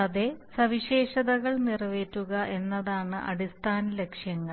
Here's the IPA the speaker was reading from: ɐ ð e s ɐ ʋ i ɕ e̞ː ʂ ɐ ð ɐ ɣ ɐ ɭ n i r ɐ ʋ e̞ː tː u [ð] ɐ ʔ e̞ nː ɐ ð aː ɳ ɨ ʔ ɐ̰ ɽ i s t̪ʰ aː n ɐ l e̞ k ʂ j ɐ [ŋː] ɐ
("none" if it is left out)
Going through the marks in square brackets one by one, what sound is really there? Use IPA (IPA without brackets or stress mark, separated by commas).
ɣ, ŋː